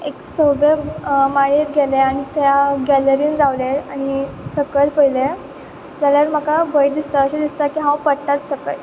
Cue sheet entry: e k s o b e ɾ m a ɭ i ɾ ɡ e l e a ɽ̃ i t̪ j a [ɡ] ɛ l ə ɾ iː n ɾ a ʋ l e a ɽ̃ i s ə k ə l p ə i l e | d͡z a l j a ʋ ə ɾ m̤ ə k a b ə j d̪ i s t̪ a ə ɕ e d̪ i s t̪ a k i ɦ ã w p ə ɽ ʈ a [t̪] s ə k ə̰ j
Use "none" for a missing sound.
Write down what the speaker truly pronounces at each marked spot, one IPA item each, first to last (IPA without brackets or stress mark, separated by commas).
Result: ɡ, t̪